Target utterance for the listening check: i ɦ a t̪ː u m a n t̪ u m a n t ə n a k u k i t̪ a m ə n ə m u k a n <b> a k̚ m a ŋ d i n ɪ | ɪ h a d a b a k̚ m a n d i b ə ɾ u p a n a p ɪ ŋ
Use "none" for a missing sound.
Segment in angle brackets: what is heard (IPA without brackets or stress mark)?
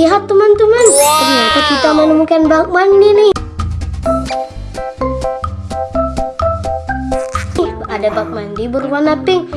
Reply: b